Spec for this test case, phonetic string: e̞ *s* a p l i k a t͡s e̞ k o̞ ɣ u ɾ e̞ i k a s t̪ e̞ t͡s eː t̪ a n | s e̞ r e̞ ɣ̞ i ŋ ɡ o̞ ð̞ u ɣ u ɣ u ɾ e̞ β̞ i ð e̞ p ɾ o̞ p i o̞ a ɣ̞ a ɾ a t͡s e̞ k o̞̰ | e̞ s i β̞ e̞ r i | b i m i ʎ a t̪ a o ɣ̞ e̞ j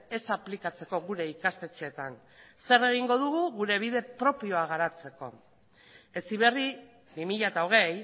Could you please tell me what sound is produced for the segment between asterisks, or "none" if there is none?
s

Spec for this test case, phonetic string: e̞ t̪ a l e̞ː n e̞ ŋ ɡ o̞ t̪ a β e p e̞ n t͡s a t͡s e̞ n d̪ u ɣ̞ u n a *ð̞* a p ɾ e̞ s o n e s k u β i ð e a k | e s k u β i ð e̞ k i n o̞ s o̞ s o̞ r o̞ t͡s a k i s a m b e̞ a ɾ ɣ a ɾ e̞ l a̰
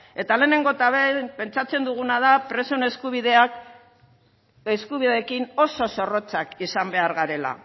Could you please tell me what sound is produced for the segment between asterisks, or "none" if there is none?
ð̞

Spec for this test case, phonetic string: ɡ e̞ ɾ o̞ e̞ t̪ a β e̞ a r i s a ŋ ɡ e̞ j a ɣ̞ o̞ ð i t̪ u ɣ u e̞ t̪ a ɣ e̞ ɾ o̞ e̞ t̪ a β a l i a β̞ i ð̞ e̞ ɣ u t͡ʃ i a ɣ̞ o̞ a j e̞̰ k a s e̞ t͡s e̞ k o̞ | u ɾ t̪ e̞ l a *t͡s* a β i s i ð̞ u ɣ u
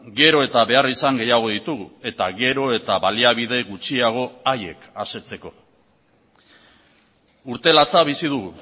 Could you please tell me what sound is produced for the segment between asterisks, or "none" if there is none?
t͡s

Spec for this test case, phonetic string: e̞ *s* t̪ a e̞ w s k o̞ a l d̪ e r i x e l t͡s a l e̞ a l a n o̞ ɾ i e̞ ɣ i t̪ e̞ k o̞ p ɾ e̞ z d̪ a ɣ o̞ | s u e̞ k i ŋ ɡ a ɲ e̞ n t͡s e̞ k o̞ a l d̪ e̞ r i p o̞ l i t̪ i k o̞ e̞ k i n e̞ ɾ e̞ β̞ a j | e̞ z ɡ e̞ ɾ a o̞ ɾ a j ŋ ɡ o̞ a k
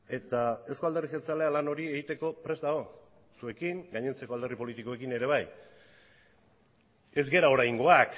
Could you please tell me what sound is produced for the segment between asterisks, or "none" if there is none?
none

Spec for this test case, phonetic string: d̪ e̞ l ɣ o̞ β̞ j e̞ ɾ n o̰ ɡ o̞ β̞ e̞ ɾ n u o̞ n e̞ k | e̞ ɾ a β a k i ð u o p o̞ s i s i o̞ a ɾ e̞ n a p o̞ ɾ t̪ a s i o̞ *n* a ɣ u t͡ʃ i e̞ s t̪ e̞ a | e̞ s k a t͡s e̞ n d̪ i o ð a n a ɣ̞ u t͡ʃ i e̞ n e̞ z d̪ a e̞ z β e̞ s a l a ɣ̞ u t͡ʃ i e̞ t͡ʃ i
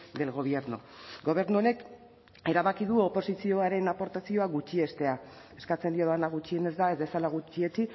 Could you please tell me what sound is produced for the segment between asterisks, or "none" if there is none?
none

